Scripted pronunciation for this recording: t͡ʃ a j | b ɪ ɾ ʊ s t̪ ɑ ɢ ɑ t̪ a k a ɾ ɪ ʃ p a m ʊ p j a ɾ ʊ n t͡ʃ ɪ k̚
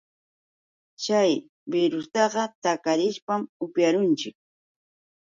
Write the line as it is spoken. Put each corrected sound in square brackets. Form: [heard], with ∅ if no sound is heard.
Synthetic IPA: t͡ʃ a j | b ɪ ɾ ʊ s t̪ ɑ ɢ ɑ t̪ a k a ɾ ɪ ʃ p a m ʊ p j a ɾ ʊ n t͡ʃ ɪ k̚